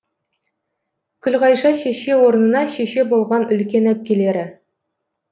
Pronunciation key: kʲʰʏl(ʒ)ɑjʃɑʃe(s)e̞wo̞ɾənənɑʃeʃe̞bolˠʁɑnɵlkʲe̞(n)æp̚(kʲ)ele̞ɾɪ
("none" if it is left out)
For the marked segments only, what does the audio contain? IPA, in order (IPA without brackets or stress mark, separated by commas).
ʁ, ʃ, n, kʲ